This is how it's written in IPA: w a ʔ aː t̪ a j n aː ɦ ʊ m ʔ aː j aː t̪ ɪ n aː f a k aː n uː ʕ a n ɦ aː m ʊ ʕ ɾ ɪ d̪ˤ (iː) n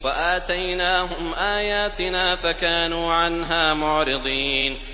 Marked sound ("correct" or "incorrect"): correct